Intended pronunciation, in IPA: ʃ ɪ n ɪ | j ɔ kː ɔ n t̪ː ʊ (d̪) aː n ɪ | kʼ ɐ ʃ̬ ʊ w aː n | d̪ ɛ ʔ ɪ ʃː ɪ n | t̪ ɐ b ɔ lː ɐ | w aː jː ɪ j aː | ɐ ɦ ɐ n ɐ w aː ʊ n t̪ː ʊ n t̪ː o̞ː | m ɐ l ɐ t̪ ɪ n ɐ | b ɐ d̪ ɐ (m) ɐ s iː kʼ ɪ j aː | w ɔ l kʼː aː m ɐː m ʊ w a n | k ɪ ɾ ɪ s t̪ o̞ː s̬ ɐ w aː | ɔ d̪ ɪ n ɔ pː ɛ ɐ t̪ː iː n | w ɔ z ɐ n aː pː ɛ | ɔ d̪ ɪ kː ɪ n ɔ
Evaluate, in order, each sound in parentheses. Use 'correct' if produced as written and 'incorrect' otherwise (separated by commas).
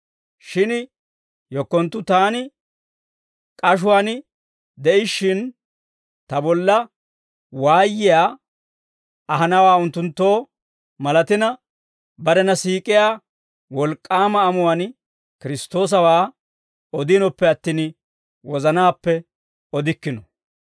incorrect, incorrect